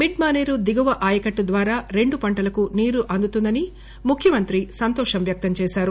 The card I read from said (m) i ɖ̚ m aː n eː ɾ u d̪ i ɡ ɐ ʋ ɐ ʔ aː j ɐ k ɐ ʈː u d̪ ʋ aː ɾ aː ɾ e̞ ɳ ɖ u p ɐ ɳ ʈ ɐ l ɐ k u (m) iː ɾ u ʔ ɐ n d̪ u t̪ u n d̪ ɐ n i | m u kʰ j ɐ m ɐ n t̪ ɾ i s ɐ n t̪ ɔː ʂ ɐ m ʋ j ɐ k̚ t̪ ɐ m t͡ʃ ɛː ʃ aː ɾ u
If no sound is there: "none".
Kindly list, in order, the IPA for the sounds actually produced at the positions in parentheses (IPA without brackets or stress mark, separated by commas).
m, n